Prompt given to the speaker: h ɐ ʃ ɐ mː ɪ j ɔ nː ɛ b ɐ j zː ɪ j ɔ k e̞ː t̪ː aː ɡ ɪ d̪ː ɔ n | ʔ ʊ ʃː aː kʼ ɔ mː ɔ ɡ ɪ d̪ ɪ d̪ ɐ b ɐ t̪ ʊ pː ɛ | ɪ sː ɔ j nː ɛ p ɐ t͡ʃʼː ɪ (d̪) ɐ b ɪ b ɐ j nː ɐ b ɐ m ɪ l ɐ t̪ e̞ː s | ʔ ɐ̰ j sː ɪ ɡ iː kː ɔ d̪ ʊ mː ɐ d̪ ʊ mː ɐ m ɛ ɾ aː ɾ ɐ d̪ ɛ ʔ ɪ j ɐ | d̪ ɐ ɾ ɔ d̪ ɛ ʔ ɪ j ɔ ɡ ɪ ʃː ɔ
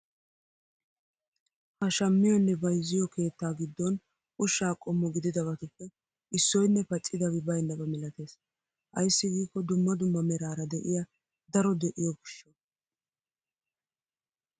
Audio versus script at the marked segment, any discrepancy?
no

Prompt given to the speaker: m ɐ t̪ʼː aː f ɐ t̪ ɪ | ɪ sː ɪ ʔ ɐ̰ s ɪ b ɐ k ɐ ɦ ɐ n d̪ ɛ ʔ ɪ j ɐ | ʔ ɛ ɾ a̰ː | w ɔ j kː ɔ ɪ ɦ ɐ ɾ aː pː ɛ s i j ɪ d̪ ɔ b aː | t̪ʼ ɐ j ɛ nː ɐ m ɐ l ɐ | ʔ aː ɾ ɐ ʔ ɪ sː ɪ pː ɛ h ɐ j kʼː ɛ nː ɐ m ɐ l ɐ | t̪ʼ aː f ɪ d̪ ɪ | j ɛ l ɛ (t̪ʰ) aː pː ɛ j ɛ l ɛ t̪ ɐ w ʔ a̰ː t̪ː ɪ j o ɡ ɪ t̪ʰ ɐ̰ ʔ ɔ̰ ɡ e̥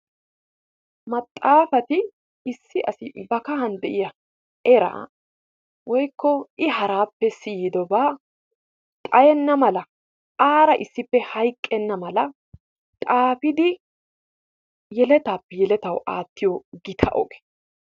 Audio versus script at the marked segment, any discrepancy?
yes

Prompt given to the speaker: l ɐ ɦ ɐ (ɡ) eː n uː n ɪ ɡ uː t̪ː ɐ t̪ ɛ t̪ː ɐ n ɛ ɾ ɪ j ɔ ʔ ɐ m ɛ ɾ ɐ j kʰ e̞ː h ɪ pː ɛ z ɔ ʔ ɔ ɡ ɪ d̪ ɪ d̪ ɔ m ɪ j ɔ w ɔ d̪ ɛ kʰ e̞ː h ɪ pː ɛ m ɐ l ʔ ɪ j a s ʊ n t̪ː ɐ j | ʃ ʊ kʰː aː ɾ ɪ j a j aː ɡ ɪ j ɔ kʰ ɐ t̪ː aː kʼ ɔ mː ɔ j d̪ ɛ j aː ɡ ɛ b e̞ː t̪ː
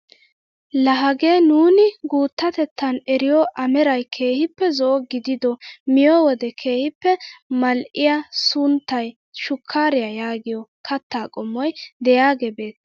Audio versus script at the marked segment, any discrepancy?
no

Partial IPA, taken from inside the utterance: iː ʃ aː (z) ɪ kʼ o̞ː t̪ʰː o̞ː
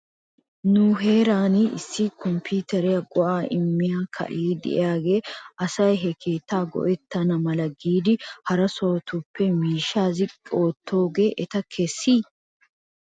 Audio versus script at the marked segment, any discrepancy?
no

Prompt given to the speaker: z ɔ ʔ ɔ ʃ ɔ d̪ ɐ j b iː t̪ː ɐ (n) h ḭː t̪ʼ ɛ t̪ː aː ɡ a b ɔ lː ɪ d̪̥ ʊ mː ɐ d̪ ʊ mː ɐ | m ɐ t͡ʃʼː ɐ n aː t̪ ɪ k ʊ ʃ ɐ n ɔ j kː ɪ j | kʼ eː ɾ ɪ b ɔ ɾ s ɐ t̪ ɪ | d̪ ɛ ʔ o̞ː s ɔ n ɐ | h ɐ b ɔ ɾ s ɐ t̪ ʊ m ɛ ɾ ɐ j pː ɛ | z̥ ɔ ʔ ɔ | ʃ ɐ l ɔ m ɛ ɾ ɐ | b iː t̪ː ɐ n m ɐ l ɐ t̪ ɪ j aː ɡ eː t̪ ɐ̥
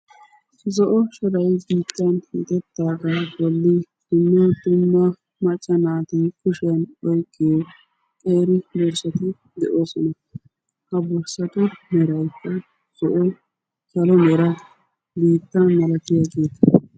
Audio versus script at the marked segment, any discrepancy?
no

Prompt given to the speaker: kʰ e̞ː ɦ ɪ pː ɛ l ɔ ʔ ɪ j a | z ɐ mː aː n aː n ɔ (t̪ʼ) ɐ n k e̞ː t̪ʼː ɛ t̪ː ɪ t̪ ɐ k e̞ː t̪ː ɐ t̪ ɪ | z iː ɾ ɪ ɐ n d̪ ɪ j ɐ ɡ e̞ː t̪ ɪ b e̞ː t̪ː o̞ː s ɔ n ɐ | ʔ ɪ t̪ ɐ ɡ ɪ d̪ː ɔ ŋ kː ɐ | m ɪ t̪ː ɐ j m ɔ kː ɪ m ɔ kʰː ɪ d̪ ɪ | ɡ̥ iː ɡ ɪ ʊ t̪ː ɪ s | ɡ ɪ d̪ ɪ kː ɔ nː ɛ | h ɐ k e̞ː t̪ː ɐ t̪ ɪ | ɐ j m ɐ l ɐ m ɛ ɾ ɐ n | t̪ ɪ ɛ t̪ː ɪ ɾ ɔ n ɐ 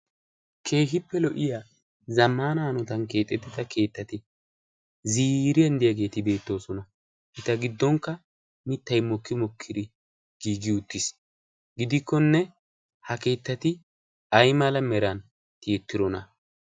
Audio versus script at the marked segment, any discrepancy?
yes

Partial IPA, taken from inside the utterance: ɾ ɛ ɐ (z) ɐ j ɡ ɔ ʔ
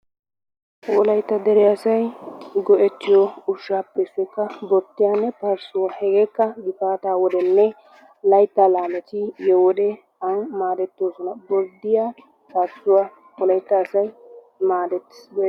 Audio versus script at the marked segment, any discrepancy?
yes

